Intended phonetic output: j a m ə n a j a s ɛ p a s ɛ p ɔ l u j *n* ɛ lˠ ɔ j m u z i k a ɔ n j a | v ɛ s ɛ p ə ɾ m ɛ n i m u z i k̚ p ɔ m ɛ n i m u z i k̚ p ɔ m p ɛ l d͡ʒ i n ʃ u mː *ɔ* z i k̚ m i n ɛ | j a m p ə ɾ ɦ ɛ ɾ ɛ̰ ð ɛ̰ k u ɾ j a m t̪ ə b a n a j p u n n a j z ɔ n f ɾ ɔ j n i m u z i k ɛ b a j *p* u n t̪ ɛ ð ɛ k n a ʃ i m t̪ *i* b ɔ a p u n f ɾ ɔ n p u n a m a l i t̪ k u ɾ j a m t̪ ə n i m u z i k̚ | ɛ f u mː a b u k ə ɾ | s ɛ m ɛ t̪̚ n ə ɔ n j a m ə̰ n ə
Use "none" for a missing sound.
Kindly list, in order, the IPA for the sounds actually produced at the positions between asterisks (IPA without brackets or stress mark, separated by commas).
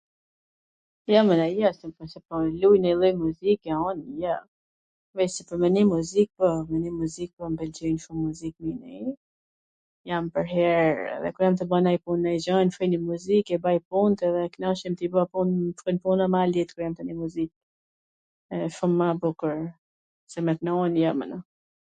n, u, p, i